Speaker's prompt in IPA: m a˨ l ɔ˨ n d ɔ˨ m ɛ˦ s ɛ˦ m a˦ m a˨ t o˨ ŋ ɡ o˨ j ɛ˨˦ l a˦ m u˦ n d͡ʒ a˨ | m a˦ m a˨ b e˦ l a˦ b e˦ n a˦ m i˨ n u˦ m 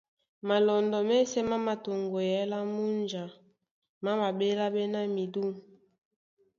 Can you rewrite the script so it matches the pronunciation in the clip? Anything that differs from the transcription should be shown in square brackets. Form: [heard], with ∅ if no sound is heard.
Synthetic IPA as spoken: m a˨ l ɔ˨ n d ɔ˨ m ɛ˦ s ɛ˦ m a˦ m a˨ t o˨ ŋ ɡ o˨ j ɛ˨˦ l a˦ m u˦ n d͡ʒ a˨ | m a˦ m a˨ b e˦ l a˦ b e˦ n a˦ m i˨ [d] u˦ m